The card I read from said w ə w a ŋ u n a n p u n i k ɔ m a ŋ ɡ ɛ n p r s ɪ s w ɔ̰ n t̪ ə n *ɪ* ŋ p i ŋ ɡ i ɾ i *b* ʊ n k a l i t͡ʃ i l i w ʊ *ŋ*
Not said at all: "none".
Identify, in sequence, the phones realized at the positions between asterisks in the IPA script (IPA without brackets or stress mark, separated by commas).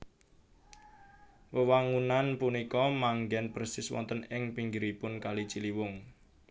ɪ, p, ŋ